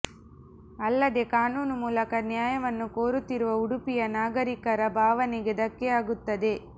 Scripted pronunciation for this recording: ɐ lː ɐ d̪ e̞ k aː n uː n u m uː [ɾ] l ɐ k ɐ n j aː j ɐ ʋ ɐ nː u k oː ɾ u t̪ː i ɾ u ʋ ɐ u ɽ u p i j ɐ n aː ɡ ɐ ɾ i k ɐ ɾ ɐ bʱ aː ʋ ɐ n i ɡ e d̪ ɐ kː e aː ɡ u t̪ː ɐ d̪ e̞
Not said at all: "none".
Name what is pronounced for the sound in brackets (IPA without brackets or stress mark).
none